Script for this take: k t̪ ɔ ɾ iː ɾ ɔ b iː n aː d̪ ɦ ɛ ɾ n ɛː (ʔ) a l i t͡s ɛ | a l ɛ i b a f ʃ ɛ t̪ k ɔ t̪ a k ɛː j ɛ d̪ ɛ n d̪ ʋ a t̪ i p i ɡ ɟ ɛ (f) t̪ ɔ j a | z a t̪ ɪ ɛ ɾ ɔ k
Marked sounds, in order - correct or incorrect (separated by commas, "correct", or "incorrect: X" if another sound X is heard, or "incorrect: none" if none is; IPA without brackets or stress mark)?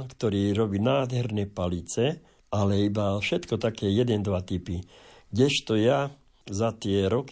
incorrect: p, incorrect: ʃ